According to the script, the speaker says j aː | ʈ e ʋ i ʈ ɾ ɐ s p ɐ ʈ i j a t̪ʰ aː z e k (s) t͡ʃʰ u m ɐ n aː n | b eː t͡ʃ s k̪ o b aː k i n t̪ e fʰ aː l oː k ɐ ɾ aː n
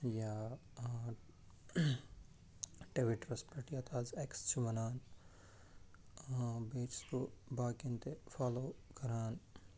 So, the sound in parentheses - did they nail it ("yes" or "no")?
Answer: yes